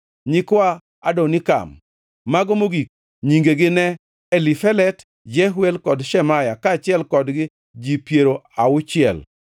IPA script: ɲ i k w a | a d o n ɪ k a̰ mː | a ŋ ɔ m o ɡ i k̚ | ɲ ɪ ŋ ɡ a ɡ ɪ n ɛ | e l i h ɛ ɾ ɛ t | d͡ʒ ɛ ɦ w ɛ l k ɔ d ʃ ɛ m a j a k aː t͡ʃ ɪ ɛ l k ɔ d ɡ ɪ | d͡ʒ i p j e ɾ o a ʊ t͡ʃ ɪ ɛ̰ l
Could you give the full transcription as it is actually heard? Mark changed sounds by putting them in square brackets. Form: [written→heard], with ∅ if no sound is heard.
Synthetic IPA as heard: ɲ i k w a | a d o n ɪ k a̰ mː | a [ŋ→ɡ] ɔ m o ɡ i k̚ | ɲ [ɪ→i] ŋ ɡ [a→e] ɡ ɪ n ɛ | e l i [h→f] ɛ [ɾ→l] ɛ t | d͡ʒ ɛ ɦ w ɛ l k ɔ d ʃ ɛ m a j a k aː t͡ʃ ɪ ɛ l k ɔ d ɡ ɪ | d͡ʒ i p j e ɾ o a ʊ t͡ʃ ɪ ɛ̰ l

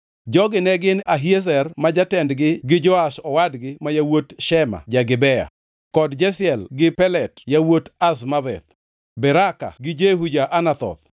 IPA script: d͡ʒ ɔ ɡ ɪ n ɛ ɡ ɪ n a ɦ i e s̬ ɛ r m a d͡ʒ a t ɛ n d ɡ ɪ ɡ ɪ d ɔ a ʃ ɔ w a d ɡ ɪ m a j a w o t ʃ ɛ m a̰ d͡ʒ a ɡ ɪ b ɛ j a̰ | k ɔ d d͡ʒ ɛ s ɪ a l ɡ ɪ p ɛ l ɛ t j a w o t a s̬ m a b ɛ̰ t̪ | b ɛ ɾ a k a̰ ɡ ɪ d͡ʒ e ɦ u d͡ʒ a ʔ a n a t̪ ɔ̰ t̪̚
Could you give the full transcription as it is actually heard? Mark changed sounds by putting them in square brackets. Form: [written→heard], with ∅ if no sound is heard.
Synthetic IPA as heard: d͡ʒ ɔ ɡ ɪ n ɛ ɡ ɪ n a ɦ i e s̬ ɛ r m a d͡ʒ a t ɛ n d ɡ ɪ ɡ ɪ [d→d͡ʒ] ɔ a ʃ ɔ w a d ɡ ɪ m a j a w o t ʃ ɛ m a̰ d͡ʒ a ɡ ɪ b ɛ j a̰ | k ɔ d d͡ʒ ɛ s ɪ [a→ɛ] l ɡ ɪ p ɛ l ɛ t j a w o t a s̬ m a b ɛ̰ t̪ | b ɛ ɾ a k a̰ ɡ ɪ d͡ʒ e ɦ u d͡ʒ a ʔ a n a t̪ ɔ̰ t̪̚

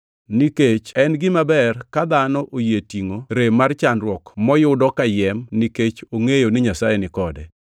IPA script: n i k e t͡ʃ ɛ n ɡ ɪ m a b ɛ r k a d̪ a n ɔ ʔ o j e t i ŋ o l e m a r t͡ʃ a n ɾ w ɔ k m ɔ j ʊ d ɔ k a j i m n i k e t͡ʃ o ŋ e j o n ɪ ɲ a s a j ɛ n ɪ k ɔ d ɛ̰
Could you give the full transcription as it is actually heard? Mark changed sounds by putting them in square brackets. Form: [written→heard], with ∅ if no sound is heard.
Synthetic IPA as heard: n i k e t͡ʃ ɛ n ɡ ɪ m a b ɛ r k a d̪ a n ɔ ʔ o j e t i ŋ o [l→ɾ] e m a r t͡ʃ a n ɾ w ɔ k m ɔ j ʊ d ɔ k a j [i→ɛ] m n i k e t͡ʃ o ŋ e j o n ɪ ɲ a s a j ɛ n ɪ k ɔ d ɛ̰

